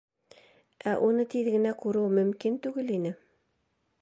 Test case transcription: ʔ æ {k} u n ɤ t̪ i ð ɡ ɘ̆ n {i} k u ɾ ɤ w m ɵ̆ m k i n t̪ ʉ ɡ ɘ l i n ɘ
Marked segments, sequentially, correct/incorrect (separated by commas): incorrect, incorrect